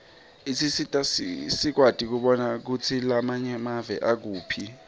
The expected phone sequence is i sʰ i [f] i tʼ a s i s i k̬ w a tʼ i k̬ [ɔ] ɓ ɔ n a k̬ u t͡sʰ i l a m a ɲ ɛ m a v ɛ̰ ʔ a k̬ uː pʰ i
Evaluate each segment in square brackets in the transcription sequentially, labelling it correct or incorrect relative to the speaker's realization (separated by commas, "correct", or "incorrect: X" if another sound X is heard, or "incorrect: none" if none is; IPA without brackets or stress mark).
incorrect: s, incorrect: u